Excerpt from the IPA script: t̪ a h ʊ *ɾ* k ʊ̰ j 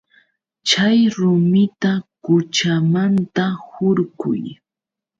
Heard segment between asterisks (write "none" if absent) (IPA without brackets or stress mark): ɾ